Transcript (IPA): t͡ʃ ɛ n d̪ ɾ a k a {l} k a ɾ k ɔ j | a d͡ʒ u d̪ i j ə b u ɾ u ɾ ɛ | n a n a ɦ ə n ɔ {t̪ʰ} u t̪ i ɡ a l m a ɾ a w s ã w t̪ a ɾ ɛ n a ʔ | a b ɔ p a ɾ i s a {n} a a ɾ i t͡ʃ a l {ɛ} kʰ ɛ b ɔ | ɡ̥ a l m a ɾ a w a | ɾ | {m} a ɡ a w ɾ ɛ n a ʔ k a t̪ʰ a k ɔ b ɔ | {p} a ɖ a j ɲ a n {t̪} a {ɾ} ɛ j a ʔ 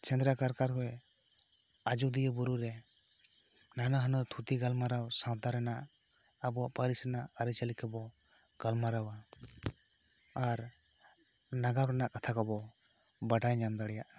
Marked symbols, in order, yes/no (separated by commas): no, yes, yes, no, no, no, no, no